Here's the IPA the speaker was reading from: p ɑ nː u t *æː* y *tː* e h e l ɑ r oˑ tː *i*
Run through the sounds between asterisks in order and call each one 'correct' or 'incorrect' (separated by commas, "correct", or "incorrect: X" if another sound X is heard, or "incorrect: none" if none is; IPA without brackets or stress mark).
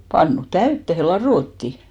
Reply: incorrect: æ, correct, correct